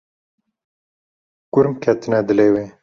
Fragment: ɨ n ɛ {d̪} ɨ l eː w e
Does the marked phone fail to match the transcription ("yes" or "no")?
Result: no